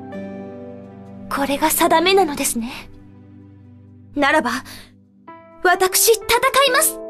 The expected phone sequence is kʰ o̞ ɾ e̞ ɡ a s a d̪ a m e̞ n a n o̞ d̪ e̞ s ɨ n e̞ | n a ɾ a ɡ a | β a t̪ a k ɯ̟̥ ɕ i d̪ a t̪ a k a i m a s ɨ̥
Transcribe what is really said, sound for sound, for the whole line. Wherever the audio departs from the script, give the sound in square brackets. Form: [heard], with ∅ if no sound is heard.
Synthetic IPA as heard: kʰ o̞ ɾ e̞ ɡ a s a d̪ a m e̞ n a n o̞ d̪ e̞ s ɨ n e̞ | n a ɾ a [b] a | β a t̪ a k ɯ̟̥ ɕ i [t̪] a t̪ a k a i m a s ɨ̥